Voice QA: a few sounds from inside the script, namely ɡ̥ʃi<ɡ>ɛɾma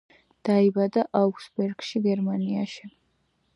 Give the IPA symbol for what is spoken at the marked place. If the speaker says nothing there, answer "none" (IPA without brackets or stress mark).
ɡ